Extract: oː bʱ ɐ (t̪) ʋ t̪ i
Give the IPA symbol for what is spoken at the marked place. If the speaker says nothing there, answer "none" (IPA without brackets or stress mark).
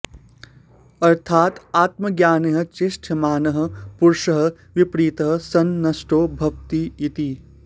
none